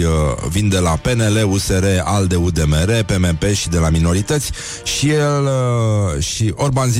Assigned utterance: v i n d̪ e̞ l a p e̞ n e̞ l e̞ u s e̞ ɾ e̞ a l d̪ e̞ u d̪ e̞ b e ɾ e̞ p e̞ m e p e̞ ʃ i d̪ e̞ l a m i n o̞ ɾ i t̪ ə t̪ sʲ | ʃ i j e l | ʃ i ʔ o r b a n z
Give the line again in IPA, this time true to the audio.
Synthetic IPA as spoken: v i n d̪ e̞ l a p e̞ n e̞ l e̞ u s e̞ ɾ e̞ a l d̪ e̞ u d̪ e̞ m e ɾ e̞ p e̞ m e p e̞ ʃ i d̪ e̞ l a m i n o̞ ɾ i t̪ ə t̪ sʲ | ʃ i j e l | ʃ i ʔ o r b a n z